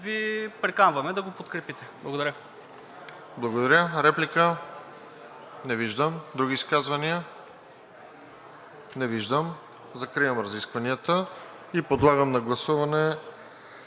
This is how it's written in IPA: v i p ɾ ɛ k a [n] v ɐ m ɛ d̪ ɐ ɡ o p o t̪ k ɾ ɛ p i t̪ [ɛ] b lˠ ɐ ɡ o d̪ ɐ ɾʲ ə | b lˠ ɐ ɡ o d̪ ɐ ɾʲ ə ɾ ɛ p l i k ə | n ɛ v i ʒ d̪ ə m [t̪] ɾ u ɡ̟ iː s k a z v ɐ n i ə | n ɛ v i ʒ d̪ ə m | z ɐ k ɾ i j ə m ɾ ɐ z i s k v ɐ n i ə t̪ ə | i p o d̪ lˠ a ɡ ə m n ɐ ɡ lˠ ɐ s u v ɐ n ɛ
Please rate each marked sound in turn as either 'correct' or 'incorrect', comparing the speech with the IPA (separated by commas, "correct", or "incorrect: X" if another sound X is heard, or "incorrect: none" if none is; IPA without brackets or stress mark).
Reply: correct, correct, incorrect: d̪